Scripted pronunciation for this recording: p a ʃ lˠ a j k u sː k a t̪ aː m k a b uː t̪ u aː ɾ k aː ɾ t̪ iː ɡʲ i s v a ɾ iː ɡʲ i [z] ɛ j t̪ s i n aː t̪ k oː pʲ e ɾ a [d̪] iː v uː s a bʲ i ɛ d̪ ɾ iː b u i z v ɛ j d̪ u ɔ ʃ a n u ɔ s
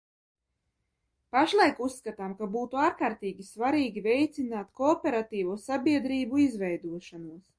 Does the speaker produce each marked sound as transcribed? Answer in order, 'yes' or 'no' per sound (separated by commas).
no, no